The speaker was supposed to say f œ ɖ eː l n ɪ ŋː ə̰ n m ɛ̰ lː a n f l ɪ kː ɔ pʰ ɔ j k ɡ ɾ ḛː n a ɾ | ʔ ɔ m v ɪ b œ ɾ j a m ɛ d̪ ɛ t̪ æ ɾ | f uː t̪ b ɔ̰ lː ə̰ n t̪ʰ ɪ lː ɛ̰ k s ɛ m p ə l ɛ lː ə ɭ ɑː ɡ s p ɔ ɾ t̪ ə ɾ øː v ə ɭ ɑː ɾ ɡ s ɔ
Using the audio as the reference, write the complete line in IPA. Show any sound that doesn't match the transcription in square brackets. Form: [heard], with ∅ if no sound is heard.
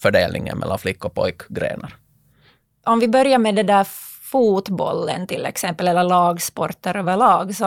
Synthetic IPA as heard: f œ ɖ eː l n ɪ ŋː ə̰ n m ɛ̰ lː a n f l ɪ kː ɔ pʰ ɔ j k ɡ ɾ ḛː n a ɾ | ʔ ɔ m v ɪ b œ ɾ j a m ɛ d̪ ɛ [d̪] æ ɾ | f uː t̪ b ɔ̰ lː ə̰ n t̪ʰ ɪ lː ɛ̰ k s ɛ m p ə l ɛ lː ə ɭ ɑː ɡ s p ɔ ɾ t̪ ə ɾ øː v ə ɭ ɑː [∅] ɡ s ɔ